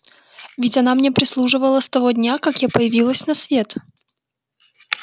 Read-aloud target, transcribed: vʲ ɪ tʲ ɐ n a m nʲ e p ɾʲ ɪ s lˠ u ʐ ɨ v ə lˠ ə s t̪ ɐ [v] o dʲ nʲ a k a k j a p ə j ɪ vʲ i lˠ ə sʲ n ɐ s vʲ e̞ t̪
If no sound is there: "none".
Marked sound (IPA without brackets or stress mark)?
v